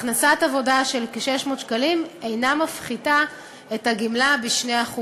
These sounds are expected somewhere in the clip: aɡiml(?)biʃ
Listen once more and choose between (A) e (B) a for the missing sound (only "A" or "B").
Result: B